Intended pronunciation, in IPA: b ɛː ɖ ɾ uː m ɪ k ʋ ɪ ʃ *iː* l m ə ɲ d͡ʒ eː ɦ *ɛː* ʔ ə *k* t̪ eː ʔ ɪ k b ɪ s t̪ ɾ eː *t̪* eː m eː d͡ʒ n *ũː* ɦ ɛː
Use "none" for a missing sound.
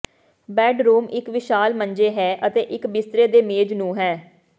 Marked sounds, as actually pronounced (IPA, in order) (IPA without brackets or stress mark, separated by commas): aː, ɛː, none, d̪, ũː